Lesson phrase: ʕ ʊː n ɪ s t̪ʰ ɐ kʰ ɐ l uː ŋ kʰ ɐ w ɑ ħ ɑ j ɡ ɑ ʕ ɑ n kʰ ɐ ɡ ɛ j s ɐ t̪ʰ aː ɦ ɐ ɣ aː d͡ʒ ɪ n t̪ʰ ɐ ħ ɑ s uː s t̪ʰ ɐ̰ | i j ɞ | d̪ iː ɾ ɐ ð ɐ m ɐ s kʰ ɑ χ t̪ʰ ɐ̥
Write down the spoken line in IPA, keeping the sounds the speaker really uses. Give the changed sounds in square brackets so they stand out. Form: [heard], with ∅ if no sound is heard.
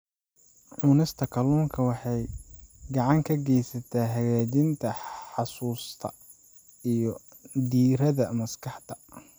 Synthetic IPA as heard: ʕ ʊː n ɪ s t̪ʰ ɐ kʰ ɐ l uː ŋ kʰ ɐ w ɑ ħ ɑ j ɡ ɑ ʕ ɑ [ŋ] kʰ ɐ ɡ ɛ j s ɐ t̪ʰ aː ɦ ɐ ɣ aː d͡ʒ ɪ n t̪ʰ ɐ ħ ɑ s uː s t̪ʰ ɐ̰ | i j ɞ | d̪ iː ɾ ɐ ð ɐ m ɐ s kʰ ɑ [ħ] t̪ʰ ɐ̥